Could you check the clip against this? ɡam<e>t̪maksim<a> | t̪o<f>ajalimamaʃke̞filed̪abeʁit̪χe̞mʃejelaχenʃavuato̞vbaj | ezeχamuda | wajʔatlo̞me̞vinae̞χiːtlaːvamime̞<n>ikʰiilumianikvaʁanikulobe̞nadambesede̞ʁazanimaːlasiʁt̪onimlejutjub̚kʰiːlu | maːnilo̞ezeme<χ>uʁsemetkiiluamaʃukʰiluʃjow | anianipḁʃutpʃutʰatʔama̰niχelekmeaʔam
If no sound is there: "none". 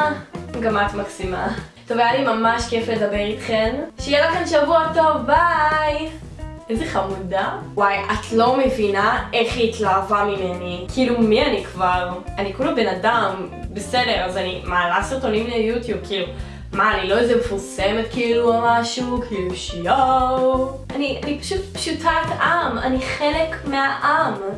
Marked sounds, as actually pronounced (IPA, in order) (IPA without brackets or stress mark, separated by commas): a, a, v, n, f